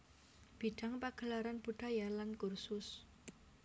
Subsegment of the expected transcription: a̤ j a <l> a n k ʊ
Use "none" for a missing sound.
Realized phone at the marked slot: l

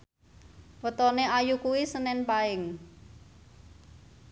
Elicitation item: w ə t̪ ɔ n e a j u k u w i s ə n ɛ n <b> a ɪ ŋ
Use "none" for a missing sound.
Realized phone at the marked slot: p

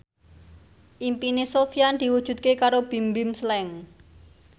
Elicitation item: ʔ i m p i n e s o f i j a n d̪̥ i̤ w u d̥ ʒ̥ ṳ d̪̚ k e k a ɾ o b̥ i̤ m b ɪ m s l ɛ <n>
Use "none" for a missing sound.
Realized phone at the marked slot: ŋ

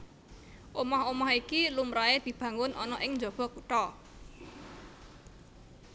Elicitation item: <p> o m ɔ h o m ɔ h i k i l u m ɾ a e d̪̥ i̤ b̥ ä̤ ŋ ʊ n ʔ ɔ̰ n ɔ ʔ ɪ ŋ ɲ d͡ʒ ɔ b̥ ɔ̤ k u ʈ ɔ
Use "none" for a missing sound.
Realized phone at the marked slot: ʔ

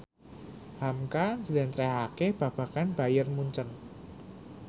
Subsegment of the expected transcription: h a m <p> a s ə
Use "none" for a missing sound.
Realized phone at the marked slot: k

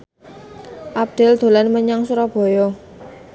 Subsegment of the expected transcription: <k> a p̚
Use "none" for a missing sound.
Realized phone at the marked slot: ʔ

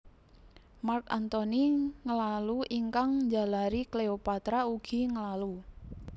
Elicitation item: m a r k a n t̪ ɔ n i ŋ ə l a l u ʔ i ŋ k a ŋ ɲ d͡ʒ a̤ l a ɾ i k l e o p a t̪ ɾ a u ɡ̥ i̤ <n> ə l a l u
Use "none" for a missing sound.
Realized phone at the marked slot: ŋ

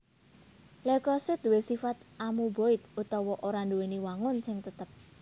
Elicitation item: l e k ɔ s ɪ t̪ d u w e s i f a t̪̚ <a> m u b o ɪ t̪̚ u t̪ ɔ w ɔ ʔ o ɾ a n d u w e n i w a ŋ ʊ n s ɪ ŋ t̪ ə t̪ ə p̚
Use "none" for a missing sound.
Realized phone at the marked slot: a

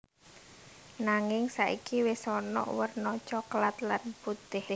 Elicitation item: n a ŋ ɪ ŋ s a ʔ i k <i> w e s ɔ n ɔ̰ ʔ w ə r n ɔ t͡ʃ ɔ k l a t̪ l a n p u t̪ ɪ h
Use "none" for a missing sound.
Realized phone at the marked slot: i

